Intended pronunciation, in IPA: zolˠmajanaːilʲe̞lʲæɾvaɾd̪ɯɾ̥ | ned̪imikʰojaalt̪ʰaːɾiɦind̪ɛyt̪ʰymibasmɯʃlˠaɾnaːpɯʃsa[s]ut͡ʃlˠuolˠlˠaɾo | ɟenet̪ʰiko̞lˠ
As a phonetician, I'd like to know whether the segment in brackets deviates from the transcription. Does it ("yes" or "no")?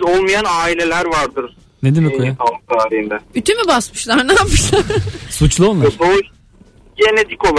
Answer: no